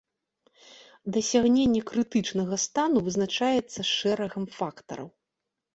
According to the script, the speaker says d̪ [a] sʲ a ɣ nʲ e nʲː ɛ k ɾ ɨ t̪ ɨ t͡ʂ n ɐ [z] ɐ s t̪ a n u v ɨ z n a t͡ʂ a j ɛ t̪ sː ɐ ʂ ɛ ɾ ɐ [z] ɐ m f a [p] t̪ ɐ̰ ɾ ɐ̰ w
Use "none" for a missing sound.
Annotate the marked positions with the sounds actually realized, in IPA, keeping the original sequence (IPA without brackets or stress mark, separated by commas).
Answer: ɐ, ɣ, ɣ, k